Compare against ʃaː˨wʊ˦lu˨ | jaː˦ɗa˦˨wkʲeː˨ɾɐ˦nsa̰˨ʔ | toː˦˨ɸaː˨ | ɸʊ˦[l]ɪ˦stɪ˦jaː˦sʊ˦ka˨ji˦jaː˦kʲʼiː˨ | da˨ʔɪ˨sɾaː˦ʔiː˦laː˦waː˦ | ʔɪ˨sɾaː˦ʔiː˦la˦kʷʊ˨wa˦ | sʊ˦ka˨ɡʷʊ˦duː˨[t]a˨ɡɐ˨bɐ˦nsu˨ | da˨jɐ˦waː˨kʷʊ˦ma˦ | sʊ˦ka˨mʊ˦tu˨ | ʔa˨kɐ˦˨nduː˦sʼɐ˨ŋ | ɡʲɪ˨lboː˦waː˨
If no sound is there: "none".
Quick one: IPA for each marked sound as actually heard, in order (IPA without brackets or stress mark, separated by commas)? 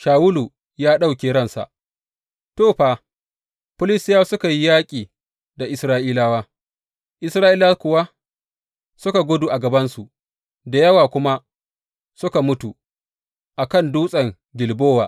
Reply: l, ʔ